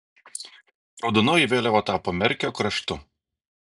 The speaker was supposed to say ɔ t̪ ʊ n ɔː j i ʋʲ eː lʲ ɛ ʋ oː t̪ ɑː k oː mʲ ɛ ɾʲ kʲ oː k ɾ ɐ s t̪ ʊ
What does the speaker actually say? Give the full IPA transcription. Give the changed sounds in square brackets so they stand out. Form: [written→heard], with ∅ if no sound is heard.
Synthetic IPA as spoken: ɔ [t̪→d̪] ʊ n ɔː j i ʋʲ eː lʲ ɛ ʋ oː t̪ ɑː [k→p] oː mʲ ɛ ɾʲ kʲ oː k ɾ ɐ [s→ʃ] t̪ ʊ

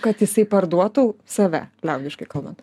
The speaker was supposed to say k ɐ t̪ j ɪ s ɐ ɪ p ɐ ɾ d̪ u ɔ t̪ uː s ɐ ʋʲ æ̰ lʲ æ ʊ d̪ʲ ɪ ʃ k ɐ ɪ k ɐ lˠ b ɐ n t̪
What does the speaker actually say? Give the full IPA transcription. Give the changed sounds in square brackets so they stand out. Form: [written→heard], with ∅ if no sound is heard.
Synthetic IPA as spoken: k ɐ t̪ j ɪ s ɐ ɪ p ɐ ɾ d̪ u ɔ t̪ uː s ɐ ʋʲ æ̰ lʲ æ ʊ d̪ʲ ɪ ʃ k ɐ ɪ k ɐ lˠ b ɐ n t̪

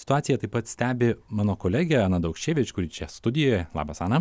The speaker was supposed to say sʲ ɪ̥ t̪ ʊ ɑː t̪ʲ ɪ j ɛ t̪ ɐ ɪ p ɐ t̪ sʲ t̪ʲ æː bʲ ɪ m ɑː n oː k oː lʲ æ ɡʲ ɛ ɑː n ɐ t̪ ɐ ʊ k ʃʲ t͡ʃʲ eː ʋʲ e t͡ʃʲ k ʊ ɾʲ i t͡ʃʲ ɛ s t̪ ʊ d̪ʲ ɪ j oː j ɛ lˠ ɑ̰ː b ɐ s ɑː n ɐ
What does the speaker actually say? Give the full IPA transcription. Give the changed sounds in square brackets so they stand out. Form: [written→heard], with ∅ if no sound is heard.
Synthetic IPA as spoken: sʲ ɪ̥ t̪ ʊ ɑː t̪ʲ ɪ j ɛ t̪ ɐ ɪ p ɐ t̪ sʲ t̪ʲ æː bʲ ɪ m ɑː n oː k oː lʲ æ ɡʲ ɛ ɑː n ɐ [t̪→d̪] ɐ ʊ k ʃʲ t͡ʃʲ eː ʋʲ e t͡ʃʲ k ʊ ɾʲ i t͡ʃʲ ɛ s t̪ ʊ d̪ʲ ɪ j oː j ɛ lˠ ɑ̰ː b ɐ s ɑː n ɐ

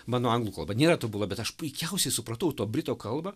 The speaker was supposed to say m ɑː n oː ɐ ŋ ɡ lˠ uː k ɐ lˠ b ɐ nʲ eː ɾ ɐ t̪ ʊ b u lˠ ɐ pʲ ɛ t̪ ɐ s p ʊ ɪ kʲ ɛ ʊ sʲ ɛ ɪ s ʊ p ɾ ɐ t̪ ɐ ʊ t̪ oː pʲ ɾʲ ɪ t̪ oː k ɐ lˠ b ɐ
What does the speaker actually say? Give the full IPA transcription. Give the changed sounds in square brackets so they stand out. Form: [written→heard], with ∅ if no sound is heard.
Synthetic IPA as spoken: m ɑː n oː ɐ ŋ ɡ lˠ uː k ɐ lˠ b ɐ nʲ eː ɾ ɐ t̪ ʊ b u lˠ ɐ [pʲ→bʲ] ɛ t̪ ɐ [s→ʃ] p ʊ ɪ kʲ ɛ ʊ sʲ ɛ ɪ s ʊ p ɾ ɐ t̪ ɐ ʊ t̪ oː [pʲ→bʲ] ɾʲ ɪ t̪ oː k ɐ lˠ b ɐ

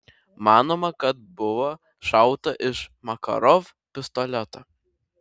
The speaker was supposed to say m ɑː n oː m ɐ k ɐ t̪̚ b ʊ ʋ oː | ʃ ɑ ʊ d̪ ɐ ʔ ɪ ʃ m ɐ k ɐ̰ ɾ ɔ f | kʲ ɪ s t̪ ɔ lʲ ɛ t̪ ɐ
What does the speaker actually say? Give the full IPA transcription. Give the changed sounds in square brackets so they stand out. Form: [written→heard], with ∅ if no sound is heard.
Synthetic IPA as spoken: m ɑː n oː m ɐ k ɐ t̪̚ b ʊ ʋ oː | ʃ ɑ ʊ [d̪→t̪] ɐ ʔ ɪ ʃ m ɐ k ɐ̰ ɾ ɔ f | [kʲ→pʲ] ɪ s t̪ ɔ lʲ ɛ t̪ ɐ

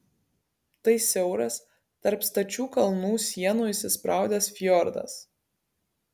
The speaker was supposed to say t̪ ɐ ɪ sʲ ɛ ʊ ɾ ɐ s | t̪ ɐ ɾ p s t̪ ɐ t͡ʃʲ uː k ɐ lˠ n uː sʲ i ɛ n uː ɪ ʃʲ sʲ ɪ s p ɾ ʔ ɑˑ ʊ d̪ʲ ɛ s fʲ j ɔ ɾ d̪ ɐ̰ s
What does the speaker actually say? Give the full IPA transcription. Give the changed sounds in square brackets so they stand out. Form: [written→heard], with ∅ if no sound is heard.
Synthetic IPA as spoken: t̪ ɐ ɪ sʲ ɛ ʊ ɾ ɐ s | t̪ ɐ ɾ p s t̪ ɐ t͡ʃʲ uː k ɐ lˠ n uː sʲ i ɛ n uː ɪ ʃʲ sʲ ɪ s p ɾ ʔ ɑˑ ʊ d̪ʲ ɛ s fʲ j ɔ ɾ d̪ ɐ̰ s

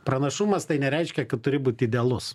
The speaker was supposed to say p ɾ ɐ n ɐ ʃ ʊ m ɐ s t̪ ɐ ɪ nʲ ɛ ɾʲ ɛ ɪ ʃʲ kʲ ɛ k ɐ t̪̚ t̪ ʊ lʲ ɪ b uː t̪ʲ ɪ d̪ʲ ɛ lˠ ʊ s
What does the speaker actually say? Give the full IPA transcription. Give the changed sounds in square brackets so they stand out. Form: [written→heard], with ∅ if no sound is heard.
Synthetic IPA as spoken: p ɾ ɐ n ɐ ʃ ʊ m ɐ s t̪ ɐ ɪ nʲ ɛ ɾʲ ɛ ɪ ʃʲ kʲ ɛ k ɐ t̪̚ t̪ ʊ [lʲ→ɾʲ] ɪ b uː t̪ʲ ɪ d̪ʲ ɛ lˠ ʊ s

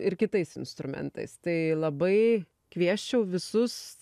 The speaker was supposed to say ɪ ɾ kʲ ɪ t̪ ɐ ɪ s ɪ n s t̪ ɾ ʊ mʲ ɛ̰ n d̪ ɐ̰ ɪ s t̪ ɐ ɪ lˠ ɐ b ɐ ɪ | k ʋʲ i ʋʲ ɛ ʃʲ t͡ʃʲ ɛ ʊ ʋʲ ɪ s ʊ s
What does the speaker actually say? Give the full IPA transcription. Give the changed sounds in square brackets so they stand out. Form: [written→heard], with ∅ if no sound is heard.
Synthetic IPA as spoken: ɪ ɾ kʲ ɪ t̪ ɐ ɪ s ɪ n s t̪ ɾ ʊ mʲ ɛ̰ n [d̪→t̪] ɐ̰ ɪ s t̪ ɐ ɪ lˠ ɐ b ɐ ɪ | k ʋʲ i [ʋʲ→∅] ɛ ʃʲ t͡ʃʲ ɛ ʊ ʋʲ ɪ s ʊ s

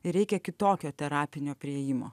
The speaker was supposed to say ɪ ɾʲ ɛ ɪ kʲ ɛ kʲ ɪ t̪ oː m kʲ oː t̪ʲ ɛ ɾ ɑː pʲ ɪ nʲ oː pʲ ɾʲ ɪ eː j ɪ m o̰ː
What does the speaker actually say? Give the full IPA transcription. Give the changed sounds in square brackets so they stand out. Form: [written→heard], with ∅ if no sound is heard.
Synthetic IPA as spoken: ɪ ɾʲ ɛ ɪ kʲ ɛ kʲ ɪ t̪ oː [m→∅] kʲ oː t̪ʲ ɛ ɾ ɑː pʲ ɪ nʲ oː pʲ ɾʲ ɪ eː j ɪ m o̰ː

